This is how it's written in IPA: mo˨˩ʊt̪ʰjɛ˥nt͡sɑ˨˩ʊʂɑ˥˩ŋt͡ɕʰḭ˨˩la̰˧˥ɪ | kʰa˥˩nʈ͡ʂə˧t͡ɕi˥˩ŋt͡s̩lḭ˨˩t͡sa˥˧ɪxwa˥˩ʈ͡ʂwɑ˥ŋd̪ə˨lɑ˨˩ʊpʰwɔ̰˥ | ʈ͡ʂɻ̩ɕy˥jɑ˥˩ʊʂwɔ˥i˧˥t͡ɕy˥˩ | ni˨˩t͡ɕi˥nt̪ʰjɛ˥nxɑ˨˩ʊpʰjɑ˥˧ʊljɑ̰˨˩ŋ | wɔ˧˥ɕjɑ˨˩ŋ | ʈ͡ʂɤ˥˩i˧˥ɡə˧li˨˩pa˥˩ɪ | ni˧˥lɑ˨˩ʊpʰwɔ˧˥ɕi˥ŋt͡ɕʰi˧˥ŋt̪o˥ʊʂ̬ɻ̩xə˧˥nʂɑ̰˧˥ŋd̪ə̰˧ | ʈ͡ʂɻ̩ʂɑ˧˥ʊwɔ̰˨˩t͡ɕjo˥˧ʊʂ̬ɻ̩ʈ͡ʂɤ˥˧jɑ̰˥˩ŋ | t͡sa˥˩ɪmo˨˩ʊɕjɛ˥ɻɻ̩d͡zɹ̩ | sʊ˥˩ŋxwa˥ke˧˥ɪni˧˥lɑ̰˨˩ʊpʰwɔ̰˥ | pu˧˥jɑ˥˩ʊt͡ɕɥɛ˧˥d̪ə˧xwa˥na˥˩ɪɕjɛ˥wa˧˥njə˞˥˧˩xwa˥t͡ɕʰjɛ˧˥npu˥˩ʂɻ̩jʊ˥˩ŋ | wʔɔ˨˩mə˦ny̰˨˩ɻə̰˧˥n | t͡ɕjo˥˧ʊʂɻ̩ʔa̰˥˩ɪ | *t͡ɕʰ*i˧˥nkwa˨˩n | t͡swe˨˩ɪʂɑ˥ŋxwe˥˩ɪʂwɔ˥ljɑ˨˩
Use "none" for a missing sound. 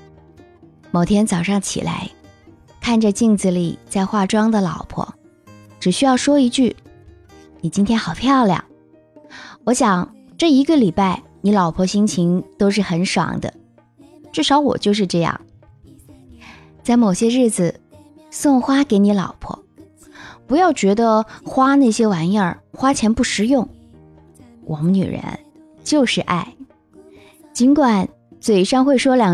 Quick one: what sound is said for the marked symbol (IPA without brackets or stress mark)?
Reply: t͡ɕ